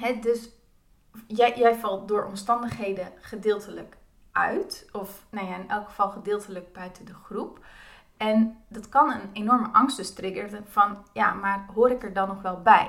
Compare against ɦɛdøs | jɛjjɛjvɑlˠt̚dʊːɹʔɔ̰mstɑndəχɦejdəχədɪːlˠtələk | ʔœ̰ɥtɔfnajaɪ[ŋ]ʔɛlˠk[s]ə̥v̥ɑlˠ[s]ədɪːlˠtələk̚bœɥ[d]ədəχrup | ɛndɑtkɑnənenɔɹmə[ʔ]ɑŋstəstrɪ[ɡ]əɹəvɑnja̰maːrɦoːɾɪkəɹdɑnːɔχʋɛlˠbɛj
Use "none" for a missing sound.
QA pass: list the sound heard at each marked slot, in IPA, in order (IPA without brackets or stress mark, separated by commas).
n, χ, χ, t, ʔ, ɡ